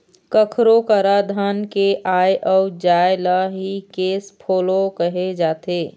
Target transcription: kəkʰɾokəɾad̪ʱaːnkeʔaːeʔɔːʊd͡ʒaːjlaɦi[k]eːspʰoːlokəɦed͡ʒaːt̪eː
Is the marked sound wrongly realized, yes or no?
no